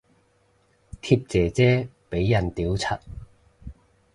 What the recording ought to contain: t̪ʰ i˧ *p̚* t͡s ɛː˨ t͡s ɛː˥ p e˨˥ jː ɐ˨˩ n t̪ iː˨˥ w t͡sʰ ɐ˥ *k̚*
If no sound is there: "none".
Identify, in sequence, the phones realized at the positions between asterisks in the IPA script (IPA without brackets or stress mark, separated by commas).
p̚, t̚